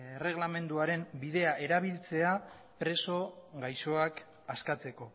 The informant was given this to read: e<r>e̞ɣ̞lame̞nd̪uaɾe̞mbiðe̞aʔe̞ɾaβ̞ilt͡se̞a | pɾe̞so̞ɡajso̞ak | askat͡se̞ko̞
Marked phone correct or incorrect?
correct